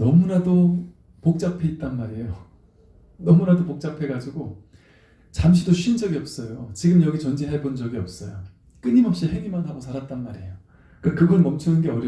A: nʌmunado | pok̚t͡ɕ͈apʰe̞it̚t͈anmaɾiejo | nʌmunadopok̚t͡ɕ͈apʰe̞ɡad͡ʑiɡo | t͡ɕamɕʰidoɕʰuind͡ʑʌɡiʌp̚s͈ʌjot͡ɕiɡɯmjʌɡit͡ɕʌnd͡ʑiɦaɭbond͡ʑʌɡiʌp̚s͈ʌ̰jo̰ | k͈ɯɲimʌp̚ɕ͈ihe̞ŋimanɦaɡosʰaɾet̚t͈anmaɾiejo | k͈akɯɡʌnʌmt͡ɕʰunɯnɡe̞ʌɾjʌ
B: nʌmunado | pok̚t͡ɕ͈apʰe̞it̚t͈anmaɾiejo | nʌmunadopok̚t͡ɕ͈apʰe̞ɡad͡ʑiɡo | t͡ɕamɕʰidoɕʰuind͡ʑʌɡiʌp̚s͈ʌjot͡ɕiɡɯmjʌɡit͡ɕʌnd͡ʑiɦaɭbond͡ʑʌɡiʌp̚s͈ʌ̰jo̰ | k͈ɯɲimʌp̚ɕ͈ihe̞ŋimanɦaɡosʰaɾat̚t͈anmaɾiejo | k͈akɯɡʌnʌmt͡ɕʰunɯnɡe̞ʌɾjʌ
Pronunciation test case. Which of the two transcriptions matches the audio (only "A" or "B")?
B